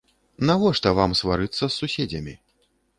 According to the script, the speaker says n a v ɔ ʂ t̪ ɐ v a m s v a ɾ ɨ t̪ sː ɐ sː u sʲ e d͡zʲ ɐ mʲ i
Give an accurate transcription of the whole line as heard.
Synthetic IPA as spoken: n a v ɔ ʂ t̪ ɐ v a m s v a ɾ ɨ t̪ sː ɐ sː u sʲ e d͡zʲ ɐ mʲ i